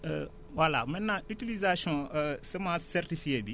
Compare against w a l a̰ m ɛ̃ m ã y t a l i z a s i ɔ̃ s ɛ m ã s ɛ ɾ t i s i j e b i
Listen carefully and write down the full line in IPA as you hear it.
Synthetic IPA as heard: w a l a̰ m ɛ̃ n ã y t i l i z a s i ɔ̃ s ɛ m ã s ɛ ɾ t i f i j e b i